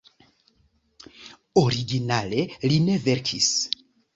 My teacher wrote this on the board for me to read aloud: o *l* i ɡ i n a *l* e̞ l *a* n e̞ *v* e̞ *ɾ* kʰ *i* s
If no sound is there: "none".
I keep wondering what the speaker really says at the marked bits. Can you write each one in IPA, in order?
ɾ, l, i, v, ɾ, i

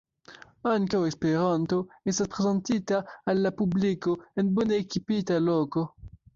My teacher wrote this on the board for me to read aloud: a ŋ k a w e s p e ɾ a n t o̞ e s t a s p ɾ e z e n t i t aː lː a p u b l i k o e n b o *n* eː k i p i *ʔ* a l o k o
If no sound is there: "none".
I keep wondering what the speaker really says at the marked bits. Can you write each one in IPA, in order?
n, t

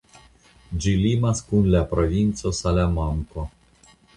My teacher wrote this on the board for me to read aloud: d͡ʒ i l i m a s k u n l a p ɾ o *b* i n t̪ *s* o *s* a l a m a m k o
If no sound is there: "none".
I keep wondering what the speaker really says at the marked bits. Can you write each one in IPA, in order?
v, s, s

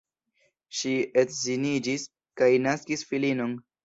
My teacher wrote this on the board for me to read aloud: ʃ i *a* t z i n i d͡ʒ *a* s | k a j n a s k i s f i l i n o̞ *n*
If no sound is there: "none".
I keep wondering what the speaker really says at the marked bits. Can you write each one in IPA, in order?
e, i, n

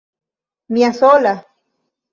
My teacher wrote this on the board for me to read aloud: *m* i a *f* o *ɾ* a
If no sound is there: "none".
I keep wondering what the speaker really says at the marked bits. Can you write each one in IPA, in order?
m, s, l

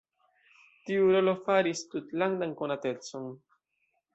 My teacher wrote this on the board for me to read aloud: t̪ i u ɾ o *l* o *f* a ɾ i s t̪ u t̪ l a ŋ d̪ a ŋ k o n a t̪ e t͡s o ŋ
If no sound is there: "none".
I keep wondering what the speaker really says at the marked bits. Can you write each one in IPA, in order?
l, f

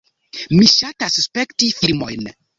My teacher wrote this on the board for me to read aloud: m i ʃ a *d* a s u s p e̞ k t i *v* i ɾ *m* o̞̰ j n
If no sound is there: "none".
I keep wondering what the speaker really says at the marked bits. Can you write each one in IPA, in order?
t, f, m

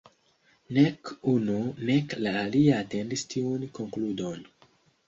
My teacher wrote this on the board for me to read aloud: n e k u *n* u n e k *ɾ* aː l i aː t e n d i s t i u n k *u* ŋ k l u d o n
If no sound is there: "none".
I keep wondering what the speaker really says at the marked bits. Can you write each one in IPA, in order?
n, l, o

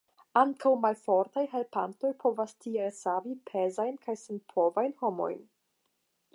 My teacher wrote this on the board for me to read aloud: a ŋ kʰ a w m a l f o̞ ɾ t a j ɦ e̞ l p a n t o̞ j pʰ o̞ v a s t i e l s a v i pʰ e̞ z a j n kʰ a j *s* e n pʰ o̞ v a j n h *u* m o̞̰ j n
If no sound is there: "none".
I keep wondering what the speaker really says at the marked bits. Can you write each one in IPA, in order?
s, o

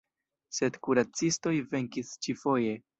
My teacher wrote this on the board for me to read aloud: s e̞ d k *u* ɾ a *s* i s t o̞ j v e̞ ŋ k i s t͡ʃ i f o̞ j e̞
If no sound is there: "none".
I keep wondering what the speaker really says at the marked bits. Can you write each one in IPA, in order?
u, t͡s

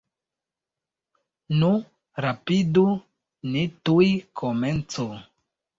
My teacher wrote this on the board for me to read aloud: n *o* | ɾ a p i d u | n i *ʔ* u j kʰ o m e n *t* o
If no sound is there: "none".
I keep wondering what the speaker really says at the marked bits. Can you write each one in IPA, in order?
u, t, t͡s

